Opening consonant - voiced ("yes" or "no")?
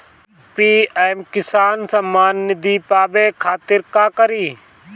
no